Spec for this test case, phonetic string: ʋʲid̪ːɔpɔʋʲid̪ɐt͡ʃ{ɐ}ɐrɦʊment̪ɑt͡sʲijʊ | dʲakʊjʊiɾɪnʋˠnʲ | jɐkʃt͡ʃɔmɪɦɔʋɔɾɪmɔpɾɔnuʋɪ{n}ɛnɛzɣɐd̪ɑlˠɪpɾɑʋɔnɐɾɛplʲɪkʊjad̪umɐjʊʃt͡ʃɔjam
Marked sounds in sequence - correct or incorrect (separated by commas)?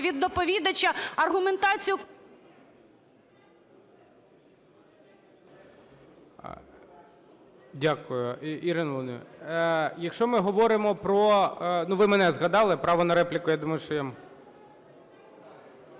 correct, incorrect